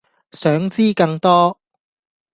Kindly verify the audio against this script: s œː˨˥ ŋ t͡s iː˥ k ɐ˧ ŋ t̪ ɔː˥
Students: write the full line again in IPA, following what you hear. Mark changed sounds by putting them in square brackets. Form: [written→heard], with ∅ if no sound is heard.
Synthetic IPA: s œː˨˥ ŋ t͡s iː˥ k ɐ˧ ŋ t̪ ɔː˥